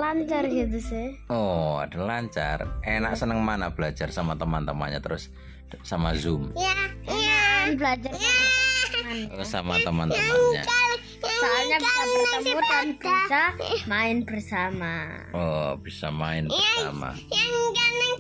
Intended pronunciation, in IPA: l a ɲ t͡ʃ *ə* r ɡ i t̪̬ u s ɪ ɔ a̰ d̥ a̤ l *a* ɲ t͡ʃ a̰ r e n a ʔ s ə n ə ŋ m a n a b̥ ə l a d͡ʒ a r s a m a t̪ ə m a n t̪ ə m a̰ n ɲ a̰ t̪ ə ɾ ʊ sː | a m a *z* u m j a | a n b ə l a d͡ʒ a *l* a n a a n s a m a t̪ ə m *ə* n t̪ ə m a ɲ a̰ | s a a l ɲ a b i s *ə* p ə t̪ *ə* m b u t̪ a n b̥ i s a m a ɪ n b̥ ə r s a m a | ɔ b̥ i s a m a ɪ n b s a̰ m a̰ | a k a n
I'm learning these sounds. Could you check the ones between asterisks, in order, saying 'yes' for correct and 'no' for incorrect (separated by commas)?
no, yes, yes, no, no, no, yes